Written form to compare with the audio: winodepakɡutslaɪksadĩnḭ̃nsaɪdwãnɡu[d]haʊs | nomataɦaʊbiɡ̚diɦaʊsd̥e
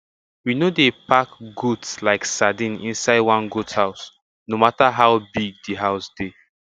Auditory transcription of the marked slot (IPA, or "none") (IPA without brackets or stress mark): t